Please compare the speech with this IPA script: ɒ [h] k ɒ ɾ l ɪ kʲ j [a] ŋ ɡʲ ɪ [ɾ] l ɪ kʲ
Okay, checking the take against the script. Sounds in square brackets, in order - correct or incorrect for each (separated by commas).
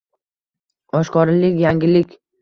incorrect, correct, incorrect